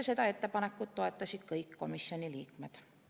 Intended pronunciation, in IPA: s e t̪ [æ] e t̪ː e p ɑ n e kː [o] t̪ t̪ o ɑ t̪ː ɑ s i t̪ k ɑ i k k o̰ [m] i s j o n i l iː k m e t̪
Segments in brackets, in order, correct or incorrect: correct, incorrect: u, correct

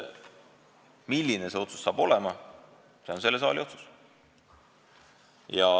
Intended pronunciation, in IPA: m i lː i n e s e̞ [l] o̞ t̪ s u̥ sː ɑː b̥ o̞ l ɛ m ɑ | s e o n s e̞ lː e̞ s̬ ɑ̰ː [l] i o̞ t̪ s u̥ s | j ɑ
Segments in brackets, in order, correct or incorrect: incorrect: none, correct

